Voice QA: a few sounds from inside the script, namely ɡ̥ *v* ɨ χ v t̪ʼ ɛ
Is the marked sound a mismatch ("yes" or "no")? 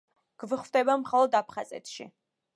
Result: no